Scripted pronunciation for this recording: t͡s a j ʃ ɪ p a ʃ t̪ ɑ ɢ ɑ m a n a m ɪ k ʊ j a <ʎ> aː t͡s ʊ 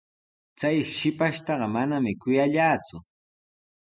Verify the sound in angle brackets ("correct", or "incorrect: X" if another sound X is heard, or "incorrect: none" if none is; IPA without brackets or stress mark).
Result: correct